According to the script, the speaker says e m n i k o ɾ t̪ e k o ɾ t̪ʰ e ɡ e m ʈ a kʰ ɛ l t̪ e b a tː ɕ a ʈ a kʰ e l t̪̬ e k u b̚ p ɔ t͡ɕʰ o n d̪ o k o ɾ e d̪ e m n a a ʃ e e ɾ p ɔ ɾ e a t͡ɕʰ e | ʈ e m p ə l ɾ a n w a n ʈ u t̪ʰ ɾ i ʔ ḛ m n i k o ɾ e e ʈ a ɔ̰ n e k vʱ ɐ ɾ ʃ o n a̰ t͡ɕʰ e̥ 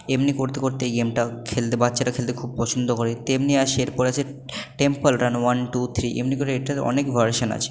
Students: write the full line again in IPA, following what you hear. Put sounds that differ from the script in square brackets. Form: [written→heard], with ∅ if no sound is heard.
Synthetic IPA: e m n i k o ɾ t̪ e k o ɾ [t̪ʰ→t̪] e ɡ e m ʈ a kʰ [ɛ→e] l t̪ e b a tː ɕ a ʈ a kʰ e l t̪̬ e [k→kʰ] u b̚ p ɔ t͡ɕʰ o n d̪ o k o ɾ e [d̪→t̪] e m n [a→i] a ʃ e e ɾ p ɔ ɾ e a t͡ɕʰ e | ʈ e m p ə l ɾ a n w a n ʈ u t̪ʰ ɾ i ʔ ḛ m n i k o ɾ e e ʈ a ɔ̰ n e k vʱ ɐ ɾ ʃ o n a̰ t͡ɕʰ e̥